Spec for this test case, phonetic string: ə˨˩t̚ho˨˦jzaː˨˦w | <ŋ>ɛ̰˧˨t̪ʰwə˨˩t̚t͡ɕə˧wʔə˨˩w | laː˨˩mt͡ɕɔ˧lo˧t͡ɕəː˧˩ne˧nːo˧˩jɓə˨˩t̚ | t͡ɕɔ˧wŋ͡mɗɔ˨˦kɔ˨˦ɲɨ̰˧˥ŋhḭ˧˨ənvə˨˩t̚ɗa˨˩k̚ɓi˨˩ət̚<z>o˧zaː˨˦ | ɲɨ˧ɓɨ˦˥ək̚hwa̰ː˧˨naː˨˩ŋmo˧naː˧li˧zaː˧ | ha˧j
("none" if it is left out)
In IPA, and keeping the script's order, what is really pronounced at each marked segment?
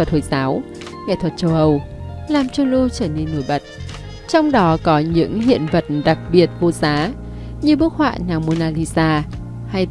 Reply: ŋ, v

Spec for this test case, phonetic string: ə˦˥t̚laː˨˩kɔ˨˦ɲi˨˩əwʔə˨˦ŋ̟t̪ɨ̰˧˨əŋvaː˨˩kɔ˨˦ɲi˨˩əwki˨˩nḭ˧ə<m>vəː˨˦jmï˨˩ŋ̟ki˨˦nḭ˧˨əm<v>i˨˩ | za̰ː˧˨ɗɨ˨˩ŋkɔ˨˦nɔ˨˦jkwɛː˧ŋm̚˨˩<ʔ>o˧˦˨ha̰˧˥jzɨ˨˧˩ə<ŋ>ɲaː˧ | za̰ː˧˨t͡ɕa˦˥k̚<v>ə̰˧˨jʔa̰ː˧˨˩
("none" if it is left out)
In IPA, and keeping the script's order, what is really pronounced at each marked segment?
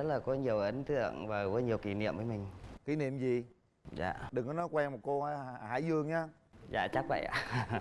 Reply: m, z, k, ŋ, v

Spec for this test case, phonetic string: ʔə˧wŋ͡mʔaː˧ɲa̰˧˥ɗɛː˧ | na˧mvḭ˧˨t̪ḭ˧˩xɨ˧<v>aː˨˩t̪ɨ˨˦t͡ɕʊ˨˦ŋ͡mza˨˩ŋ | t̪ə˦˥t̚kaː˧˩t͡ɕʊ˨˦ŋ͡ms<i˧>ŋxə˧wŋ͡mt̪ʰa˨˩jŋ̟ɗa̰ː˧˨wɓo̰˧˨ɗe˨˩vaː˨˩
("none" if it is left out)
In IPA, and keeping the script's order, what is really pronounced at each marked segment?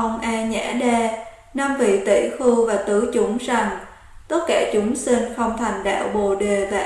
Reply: v, i˧

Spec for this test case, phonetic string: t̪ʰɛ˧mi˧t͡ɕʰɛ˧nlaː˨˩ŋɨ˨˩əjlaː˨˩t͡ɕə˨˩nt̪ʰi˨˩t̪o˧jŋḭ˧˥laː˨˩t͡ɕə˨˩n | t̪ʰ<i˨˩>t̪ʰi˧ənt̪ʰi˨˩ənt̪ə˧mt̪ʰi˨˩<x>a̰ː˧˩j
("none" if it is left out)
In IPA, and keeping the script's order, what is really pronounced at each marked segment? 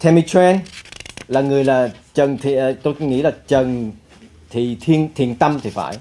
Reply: i˨˩, f

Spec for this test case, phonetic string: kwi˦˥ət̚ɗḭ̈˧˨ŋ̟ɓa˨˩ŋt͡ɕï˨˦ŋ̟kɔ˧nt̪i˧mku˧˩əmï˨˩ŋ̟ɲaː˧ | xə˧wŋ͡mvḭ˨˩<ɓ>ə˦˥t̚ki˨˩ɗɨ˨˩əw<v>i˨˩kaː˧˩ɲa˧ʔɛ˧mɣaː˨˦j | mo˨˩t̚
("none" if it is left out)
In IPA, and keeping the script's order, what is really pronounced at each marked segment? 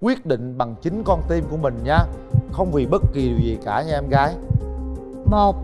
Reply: ɓ, z

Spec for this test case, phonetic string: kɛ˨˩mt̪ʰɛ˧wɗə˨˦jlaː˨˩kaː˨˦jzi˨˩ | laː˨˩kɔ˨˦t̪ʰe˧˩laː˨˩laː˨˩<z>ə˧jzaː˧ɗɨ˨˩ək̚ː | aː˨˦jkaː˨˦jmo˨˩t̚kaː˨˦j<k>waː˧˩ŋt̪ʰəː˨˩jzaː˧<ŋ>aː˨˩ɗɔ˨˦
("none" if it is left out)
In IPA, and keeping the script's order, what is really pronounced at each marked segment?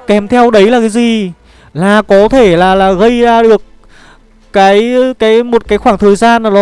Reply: ɣ, x, n

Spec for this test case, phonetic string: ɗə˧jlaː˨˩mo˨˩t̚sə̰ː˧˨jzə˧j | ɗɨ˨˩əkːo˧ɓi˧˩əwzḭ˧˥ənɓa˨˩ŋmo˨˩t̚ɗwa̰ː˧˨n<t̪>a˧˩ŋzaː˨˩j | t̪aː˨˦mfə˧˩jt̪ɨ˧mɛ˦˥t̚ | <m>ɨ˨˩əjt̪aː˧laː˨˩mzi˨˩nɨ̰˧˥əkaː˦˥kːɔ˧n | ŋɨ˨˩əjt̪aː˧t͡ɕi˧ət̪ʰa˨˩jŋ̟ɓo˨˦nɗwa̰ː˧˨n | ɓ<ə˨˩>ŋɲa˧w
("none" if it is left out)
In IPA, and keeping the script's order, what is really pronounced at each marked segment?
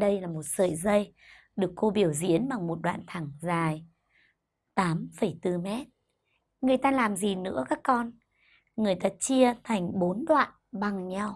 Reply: t̪ʰ, ŋ, a˨˩

